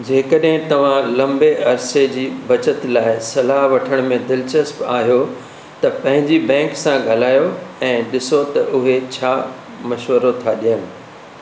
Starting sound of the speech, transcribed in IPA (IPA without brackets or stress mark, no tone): d͡ʑ